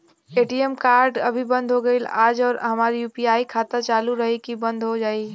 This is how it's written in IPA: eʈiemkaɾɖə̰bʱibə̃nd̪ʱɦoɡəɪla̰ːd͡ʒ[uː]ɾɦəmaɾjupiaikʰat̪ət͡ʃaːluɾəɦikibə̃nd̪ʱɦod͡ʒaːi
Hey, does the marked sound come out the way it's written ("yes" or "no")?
no